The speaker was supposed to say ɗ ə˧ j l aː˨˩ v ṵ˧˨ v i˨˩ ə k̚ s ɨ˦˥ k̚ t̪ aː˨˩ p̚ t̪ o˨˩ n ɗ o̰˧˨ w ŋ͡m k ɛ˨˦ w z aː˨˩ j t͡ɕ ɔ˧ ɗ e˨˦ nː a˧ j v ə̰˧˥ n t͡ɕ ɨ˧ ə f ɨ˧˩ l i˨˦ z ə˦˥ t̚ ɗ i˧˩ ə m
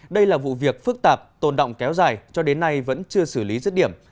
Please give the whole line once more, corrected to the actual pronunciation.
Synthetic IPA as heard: ɗ ə˧ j l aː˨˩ v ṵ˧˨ v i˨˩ ə k̚ f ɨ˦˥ k̚ t̪ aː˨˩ p̚ t̪ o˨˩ n ɗ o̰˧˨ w ŋ͡m k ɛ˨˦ w z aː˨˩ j t͡ɕ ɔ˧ ɗ e˨˦ nː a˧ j v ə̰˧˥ n t͡ɕ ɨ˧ ə s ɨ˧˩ l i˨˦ z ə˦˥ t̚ ɗ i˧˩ ə m